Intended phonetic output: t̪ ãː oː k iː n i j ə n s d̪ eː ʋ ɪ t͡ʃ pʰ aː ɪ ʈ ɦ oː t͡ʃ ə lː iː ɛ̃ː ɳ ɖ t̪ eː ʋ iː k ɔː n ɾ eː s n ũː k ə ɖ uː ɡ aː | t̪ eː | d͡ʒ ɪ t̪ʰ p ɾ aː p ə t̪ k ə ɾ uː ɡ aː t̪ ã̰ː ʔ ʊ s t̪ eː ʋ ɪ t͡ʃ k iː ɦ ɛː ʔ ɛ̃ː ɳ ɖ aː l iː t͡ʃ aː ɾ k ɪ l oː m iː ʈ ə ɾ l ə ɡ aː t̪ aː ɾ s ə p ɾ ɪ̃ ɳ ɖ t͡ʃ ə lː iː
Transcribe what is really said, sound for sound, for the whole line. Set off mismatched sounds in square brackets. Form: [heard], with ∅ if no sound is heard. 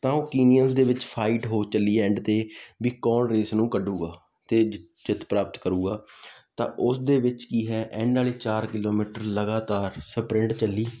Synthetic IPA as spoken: t̪ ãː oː k iː n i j ə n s d̪ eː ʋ ɪ t͡ʃ pʰ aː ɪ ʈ ɦ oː t͡ʃ ə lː iː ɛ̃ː ɳ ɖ t̪ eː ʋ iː k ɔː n ɾ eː s n ũː k ə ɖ uː ɡ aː | t̪ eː | d͡ʒ ɪ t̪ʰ p ɾ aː p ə t̪ k ə ɾ uː ɡ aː t̪ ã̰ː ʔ ʊ s [d̪] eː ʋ ɪ t͡ʃ k iː ɦ ɛː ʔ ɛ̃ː ɳ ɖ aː l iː t͡ʃ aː ɾ k ɪ l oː m iː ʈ ə ɾ l ə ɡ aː t̪ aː ɾ s ə p ɾ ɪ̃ ɳ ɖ t͡ʃ ə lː iː